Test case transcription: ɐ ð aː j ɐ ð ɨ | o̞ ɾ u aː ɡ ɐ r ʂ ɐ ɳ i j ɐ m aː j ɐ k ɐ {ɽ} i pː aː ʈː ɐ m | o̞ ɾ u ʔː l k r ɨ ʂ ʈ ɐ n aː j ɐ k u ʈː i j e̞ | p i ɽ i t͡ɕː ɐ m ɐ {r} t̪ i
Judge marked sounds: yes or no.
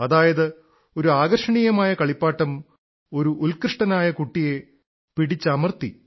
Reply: no, yes

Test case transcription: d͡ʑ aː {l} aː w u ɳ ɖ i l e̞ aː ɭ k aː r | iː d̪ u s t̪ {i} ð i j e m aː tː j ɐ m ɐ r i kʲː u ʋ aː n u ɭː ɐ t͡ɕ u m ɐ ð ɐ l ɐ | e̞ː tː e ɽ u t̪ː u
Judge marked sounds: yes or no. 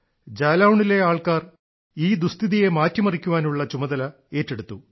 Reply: yes, yes

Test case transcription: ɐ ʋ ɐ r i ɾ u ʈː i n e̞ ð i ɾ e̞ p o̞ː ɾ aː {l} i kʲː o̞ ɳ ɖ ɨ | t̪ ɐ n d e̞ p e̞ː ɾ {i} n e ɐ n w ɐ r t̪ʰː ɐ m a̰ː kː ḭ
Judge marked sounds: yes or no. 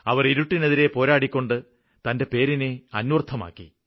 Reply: no, yes

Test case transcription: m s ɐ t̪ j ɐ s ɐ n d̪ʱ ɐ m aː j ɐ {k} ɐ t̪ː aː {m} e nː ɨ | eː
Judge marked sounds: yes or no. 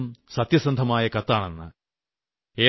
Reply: yes, no

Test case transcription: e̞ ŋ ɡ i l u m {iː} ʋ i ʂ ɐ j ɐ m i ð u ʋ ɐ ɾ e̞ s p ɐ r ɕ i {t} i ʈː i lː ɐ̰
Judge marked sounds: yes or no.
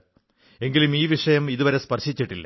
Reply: yes, no

